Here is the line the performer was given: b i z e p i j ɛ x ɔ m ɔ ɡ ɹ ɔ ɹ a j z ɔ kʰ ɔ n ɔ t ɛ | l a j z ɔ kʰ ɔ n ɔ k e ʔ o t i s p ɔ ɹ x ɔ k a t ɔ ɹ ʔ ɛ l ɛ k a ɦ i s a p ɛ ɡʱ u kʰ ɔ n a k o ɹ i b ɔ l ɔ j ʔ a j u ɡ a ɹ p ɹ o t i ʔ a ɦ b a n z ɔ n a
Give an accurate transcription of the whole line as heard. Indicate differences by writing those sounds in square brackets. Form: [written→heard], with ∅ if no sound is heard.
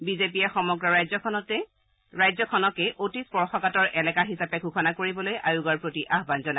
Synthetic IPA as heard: b i z e p i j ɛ x ɔ m ɔ ɡ ɹ ɔ ɹ a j z ɔ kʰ ɔ n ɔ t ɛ | [l→ɹ] a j z ɔ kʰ ɔ n ɔ k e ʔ o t i s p ɔ ɹ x ɔ k a t ɔ ɹ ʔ ɛ l ɛ k a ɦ i s a p ɛ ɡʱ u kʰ ɔ n a k o ɹ i b ɔ l [ɔ→o] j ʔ a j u ɡ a ɹ p ɹ o t i ʔ a ɦ b a n z ɔ n a